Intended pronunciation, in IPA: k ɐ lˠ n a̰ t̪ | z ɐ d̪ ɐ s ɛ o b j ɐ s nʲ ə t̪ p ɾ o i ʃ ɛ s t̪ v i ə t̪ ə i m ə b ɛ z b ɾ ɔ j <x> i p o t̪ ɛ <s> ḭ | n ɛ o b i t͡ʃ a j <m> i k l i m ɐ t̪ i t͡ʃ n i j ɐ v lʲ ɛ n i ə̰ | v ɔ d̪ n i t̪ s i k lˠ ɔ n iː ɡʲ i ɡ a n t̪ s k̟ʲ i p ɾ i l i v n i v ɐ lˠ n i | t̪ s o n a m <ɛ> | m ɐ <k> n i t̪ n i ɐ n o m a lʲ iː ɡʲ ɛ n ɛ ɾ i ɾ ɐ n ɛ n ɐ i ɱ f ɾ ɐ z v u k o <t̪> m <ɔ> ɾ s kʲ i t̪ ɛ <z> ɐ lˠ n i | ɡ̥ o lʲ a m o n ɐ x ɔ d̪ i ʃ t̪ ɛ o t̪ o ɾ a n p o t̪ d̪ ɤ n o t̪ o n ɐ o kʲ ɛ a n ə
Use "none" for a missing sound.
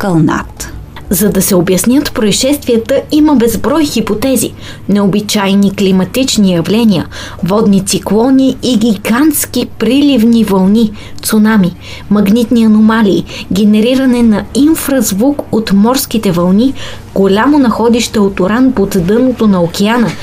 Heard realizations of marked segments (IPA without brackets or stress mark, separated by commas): x, z, n, i, ɡ, t̪, ɔ, v